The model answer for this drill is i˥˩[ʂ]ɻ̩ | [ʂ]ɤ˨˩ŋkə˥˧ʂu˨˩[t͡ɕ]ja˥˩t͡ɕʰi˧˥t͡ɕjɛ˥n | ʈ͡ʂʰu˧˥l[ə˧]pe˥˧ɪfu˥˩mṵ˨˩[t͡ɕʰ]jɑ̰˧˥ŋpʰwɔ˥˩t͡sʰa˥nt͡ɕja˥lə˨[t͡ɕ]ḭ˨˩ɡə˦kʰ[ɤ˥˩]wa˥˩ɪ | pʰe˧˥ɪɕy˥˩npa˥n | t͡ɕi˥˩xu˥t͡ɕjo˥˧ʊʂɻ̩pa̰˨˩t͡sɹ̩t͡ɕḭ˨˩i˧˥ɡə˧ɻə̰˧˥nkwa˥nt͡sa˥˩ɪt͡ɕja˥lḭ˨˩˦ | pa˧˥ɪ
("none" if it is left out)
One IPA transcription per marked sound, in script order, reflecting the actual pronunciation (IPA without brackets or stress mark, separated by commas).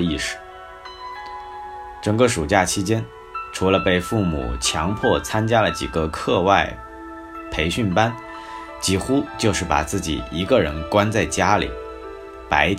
ʂ, ʈ͡ʂ, t͡ɕ, ə˧, t͡ɕʰ, t͡ɕ, ɤ˥˧